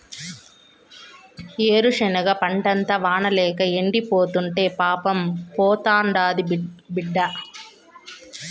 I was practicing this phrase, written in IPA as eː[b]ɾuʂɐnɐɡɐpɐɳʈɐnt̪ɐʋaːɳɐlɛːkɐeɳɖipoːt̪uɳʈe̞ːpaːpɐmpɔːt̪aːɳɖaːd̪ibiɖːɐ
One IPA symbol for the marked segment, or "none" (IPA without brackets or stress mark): none